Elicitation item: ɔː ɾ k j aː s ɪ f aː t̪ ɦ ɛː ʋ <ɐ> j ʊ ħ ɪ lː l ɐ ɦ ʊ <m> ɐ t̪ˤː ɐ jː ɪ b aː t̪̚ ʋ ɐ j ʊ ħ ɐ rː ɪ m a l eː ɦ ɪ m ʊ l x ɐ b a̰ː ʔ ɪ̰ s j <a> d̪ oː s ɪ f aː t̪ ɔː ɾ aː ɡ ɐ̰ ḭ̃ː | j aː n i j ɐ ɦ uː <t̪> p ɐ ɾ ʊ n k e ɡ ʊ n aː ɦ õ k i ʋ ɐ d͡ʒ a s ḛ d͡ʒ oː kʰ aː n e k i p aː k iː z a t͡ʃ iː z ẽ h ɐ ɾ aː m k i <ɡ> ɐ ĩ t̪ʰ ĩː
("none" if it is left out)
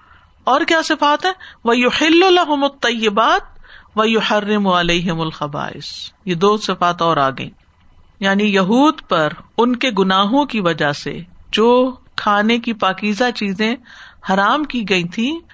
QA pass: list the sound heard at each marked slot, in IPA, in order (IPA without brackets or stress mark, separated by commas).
ɐ, m, e, d̪, ɡ